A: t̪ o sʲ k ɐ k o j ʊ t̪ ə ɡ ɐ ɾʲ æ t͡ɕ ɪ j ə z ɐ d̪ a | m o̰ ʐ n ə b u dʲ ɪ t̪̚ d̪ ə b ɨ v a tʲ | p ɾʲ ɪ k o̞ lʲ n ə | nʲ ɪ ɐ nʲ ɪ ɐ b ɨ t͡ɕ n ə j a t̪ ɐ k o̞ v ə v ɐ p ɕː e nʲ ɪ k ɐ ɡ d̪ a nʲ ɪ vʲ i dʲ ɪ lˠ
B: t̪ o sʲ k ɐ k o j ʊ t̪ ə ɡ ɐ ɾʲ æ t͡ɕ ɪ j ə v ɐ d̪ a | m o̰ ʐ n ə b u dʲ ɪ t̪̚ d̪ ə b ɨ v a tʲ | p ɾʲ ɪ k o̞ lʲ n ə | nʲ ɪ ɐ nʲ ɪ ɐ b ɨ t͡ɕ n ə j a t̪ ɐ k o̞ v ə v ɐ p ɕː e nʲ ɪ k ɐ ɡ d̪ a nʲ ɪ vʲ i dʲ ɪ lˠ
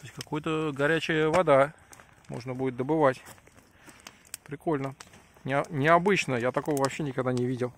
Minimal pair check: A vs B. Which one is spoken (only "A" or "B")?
B